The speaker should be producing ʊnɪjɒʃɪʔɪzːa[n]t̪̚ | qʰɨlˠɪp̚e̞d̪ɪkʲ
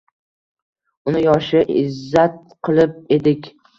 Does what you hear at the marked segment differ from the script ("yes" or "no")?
yes